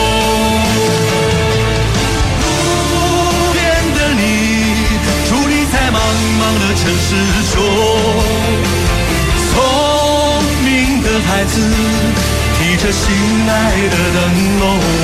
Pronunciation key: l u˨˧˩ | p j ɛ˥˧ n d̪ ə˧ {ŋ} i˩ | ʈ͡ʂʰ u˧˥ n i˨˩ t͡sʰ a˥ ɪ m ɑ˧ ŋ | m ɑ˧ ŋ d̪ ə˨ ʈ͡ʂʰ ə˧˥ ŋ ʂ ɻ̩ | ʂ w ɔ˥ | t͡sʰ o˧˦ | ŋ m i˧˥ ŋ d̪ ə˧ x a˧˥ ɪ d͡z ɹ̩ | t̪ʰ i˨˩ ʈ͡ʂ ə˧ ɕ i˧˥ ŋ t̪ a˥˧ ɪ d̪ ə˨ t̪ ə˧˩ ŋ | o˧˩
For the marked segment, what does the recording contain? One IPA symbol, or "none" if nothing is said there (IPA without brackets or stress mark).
n